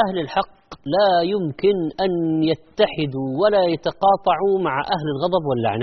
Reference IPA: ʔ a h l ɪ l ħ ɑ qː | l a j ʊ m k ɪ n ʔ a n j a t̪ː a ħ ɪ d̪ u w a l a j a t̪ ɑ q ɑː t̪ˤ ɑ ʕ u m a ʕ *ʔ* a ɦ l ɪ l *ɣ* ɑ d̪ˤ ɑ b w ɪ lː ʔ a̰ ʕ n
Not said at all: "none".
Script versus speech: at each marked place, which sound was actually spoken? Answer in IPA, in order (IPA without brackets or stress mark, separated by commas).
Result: ʔ, ɣ